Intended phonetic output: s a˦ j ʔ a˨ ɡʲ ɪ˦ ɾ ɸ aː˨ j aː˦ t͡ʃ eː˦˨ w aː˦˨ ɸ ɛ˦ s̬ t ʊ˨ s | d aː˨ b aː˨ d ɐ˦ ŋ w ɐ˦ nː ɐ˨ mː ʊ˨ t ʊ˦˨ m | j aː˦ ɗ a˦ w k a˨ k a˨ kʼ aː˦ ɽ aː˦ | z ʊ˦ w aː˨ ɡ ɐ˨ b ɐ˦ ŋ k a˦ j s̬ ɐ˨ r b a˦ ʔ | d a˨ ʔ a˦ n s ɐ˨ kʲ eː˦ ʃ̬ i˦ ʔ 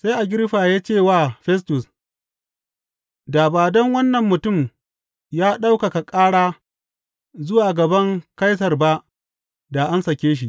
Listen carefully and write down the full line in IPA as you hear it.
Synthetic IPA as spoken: s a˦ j ʔ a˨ ɡʲ ɪ˦ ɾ ɸ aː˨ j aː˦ t͡ʃ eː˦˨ w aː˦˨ ɸ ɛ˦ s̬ t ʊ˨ s | d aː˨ b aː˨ d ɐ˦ ŋ w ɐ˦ nː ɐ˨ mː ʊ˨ t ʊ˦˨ m | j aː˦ ɗ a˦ w k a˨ k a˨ kʼ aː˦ ɽ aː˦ | z ʊ˦ w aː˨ ɡ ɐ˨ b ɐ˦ ŋ k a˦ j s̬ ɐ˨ r b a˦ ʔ | d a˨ ʔ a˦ n s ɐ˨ kʲ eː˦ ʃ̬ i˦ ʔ